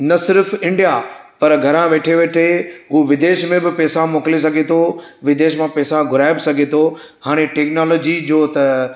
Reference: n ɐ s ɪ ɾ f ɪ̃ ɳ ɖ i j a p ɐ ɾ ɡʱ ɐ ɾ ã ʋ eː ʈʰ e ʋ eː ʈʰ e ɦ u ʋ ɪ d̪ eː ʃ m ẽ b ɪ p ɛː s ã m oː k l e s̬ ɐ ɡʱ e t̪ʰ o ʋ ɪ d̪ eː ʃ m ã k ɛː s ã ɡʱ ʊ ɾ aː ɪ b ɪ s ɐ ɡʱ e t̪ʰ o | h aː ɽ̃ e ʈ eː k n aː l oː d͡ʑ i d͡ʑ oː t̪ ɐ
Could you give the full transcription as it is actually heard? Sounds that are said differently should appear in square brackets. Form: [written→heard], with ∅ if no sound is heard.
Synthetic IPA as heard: n ɐ s ɪ ɾ f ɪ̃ ɳ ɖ i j a p ɐ ɾ ɡʱ ɐ ɾ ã ʋ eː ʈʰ e ʋ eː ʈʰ e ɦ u ʋ ɪ d̪ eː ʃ m ẽ b ɪ p ɛː s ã m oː k l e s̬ ɐ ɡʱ e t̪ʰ o ʋ ɪ d̪ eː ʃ m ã [k→p] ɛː s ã ɡʱ ʊ ɾ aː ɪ b ɪ s ɐ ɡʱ e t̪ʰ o | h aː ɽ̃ e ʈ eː k n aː l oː d͡ʑ i d͡ʑ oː t̪ ɐ